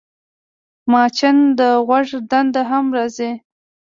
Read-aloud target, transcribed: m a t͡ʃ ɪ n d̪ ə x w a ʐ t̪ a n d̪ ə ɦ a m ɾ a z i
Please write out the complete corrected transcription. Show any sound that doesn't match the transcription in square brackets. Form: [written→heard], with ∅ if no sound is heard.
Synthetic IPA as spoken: m [a→ɑ] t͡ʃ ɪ n d̪ ə [x→ɣ] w a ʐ [t̪→d̪] a n d̪ [ə→a] ɦ a m ɾ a z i